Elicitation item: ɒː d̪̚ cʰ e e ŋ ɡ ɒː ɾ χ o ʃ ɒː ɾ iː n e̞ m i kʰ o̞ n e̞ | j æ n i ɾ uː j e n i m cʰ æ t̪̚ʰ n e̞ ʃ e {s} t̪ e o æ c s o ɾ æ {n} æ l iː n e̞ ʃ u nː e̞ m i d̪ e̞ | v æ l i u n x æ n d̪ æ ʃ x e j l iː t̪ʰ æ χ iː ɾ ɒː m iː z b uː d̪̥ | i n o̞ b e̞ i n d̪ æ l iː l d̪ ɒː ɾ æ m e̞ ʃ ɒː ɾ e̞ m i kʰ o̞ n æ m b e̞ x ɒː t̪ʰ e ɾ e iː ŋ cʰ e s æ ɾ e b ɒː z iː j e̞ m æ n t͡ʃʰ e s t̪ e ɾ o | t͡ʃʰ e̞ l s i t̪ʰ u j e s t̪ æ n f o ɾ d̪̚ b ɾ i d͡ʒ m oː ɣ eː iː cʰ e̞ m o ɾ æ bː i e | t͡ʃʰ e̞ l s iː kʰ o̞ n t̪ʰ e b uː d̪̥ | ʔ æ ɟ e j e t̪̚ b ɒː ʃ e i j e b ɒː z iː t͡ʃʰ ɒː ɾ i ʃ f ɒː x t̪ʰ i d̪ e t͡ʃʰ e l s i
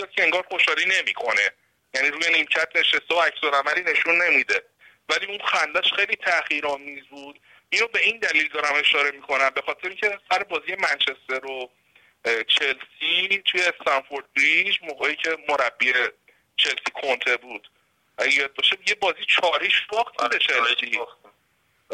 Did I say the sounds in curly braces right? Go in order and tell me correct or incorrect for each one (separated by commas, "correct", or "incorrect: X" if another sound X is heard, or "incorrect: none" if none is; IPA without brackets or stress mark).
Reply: correct, incorrect: m